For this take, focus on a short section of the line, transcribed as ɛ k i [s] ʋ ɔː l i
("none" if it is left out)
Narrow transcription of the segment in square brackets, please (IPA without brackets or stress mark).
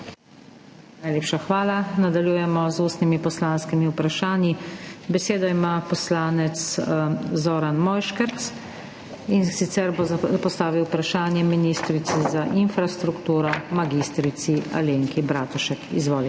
z